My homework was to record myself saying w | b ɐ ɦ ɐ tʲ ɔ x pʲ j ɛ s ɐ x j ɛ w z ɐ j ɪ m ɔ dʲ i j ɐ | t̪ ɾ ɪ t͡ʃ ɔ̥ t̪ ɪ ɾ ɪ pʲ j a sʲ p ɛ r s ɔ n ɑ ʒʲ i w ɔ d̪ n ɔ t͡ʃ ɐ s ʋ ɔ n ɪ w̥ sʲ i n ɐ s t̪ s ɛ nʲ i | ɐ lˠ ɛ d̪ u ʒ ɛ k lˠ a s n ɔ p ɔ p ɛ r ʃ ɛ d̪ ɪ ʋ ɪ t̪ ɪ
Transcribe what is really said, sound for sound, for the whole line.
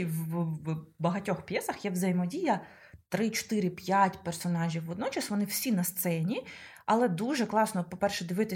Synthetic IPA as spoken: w | b ɐ ɦ ɐ tʲ ɔ x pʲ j ɛ s ɐ x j ɛ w z ɐ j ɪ m ɔ dʲ i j ɐ | t̪ ɾ ɪ t͡ʃ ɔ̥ t̪ ɪ ɾ ɪ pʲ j a tʲ p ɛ r s ɔ n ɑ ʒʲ i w ɔ d̪ n ɔ t͡ʃ ɐ s ʋ ɔ n ɪ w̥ sʲ i n ɐ s t̪ s ɛ nʲ i | ɐ lˠ ɛ d̪ u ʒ ɛ k lˠ ɑ s n ɔ p ɔ p ɛ r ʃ ɛ d̪ ɪ ʋ ɪ t̪ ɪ